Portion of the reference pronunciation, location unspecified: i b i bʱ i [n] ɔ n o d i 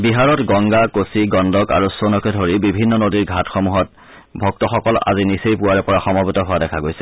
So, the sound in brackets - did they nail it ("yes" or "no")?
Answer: no